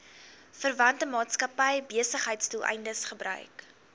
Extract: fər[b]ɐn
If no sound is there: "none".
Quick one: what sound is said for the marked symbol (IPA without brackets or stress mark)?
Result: v